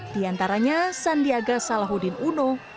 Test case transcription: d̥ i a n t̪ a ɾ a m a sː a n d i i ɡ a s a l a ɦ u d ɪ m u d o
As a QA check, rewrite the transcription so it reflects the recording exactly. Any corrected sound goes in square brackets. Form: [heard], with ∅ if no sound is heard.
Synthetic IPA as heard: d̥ i a n t̪ a ɾ a [ɲ] a [s] a n d i [a] ɡ a s a l a ɦ u d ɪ [n] u [n] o